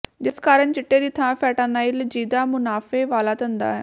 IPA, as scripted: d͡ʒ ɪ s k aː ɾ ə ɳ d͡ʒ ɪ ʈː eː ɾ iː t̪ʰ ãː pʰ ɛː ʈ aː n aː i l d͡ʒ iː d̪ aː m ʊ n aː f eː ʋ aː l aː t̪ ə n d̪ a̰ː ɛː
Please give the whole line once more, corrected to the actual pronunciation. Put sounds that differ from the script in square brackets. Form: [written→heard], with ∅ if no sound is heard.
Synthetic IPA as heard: d͡ʒ ɪ s k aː ɾ ə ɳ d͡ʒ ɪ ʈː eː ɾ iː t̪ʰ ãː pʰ ɛː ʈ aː n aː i l d͡ʒ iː d̪ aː m ʊ n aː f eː ʋ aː l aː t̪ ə n d̪ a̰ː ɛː